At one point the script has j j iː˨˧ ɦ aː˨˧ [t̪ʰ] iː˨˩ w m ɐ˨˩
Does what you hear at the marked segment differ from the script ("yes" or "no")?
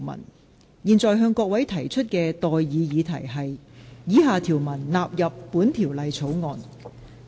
no